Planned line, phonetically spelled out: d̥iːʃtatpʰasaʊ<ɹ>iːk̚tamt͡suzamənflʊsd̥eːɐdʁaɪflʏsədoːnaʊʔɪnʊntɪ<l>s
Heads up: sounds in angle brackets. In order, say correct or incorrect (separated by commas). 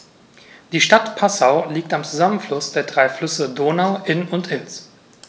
incorrect, correct